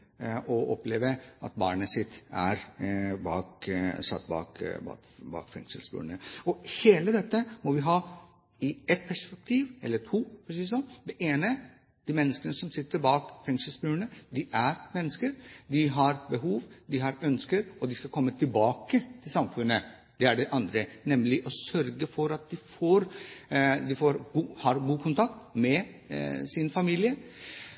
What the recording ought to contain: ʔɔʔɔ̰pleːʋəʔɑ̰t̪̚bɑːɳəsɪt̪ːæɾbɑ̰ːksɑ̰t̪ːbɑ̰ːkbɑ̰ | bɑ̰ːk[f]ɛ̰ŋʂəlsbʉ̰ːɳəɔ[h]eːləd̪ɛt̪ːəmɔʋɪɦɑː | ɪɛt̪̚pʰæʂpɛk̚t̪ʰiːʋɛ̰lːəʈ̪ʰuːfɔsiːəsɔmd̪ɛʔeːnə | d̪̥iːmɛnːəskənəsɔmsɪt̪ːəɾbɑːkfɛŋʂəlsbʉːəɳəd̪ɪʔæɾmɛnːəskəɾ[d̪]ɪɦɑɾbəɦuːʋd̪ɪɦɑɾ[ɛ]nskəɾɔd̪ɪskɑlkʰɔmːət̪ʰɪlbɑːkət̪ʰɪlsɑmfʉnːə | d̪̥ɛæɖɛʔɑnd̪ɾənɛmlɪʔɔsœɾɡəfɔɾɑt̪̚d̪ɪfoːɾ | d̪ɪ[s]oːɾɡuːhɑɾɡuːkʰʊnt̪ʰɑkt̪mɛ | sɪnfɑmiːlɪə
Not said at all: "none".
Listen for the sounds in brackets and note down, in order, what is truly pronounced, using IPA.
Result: f, h, d̪, œ, f

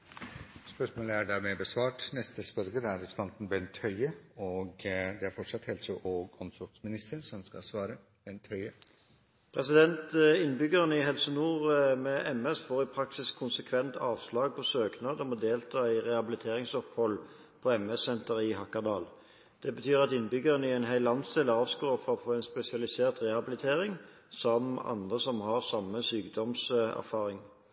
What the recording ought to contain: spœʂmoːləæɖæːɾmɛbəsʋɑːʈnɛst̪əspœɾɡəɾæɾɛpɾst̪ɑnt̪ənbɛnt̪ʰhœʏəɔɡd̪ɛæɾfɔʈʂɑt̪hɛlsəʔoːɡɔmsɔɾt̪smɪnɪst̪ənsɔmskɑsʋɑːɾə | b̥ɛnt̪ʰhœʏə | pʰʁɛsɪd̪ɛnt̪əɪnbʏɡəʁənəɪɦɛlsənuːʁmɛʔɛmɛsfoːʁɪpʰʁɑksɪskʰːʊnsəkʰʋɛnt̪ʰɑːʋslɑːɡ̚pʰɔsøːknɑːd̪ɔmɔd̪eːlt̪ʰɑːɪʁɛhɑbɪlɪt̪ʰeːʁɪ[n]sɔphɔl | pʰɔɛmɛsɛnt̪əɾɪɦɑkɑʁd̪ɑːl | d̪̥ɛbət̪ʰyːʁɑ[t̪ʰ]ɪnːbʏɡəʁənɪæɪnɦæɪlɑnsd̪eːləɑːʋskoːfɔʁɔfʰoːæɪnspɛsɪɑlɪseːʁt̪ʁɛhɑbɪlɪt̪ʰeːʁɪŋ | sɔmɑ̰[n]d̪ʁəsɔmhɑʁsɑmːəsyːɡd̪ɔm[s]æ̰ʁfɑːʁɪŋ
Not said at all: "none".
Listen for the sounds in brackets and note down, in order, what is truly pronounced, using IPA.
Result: ŋ, t̪, n, s

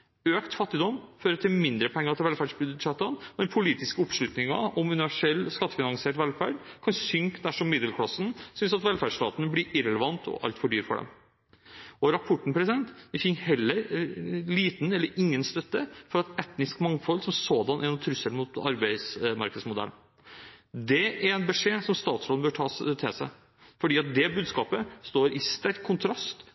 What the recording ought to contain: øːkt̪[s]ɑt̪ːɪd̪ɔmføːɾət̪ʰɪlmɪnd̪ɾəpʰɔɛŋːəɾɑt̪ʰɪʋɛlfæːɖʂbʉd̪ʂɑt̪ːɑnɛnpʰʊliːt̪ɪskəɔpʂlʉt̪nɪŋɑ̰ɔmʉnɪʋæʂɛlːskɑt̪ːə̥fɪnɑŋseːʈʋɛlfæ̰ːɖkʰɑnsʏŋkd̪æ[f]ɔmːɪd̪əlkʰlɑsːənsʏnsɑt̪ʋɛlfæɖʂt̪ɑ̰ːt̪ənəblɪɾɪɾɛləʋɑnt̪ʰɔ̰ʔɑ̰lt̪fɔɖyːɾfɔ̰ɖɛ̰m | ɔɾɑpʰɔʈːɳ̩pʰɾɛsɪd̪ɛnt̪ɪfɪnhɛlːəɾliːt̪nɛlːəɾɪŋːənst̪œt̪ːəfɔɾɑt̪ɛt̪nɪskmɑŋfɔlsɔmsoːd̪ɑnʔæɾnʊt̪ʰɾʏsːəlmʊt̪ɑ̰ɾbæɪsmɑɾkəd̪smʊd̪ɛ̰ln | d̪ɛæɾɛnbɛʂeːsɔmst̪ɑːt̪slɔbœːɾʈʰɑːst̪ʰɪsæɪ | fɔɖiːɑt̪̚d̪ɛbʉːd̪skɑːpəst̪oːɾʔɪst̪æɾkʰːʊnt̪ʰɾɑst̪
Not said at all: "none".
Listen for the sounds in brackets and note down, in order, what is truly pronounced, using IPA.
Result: f, ʂ

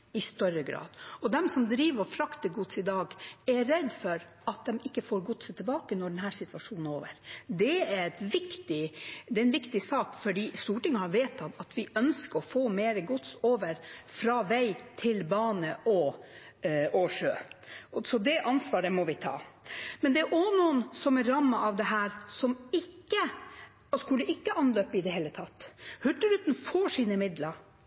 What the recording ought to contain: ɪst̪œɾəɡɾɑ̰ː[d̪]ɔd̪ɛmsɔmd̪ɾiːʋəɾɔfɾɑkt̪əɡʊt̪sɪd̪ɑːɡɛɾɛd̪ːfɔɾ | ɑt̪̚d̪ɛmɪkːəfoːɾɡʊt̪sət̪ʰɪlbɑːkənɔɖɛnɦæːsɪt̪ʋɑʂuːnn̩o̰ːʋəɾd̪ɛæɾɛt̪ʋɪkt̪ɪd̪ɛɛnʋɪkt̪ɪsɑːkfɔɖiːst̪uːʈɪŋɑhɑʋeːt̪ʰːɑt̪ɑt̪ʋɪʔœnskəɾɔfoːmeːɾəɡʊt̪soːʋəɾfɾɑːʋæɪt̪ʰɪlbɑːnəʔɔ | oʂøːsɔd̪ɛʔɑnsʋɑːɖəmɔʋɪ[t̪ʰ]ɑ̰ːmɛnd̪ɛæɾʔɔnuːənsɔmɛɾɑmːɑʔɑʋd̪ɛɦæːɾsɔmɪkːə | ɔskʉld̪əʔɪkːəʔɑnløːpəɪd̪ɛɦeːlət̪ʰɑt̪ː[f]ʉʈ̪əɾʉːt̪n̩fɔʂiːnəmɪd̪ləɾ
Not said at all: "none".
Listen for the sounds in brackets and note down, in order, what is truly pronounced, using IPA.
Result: d̪, t̪ʰ, h

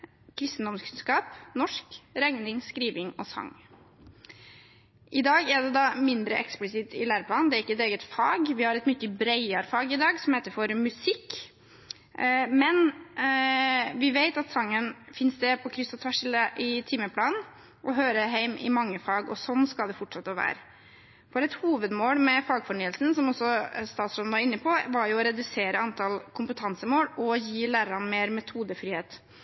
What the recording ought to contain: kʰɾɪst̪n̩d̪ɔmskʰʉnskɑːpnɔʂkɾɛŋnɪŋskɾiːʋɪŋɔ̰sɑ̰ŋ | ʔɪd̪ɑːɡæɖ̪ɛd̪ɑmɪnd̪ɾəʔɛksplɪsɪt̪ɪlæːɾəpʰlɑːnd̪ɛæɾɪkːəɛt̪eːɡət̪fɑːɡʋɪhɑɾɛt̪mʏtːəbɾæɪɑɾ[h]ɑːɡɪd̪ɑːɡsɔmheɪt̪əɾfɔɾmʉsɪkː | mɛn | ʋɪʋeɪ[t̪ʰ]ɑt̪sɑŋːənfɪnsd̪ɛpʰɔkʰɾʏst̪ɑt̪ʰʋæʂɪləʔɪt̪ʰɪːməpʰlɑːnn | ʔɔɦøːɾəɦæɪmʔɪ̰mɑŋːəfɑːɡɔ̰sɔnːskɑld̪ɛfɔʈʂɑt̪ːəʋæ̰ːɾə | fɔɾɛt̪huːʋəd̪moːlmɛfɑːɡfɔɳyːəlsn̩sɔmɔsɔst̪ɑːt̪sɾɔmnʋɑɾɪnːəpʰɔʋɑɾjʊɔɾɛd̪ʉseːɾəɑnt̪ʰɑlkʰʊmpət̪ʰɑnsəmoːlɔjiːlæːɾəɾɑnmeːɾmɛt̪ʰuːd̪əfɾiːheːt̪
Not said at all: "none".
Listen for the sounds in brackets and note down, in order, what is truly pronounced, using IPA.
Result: f, t̪

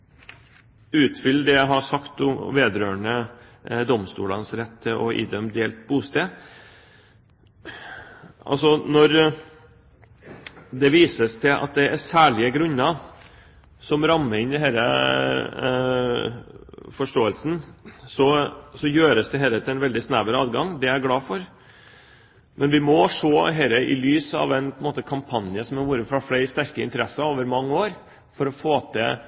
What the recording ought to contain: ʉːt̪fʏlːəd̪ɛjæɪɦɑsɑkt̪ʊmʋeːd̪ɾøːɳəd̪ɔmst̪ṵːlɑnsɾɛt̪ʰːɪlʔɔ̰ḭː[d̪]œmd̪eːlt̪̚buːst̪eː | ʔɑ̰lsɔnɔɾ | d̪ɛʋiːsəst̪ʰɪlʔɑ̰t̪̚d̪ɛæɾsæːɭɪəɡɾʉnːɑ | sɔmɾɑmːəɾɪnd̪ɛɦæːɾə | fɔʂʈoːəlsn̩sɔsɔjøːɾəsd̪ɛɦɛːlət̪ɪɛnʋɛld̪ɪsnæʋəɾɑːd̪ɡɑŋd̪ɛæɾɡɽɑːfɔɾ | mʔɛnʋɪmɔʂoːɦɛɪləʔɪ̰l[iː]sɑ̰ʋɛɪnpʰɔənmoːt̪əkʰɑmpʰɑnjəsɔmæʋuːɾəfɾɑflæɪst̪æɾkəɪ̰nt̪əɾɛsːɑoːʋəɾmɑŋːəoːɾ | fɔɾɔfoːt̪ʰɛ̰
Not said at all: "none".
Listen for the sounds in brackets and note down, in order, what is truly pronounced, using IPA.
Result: d̪, yː

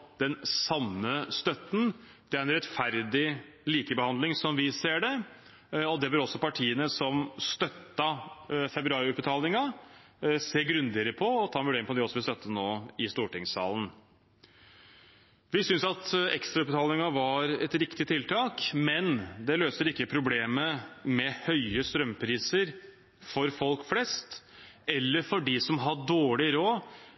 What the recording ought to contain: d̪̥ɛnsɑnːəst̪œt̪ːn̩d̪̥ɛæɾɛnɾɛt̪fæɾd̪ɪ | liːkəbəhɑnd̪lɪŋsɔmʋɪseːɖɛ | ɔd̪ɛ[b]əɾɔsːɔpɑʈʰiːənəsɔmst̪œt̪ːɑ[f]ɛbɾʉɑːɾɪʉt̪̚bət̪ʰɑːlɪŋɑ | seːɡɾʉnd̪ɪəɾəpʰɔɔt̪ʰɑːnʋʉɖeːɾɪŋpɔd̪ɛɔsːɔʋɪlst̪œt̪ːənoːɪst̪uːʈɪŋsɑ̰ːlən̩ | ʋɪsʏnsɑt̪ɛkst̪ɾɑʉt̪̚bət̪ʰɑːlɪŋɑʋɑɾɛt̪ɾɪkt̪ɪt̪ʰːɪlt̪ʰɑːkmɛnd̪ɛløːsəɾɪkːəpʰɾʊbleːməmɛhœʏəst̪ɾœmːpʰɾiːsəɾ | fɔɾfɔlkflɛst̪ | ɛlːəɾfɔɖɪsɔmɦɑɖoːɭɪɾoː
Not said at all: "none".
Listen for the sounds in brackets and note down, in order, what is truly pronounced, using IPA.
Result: b, f

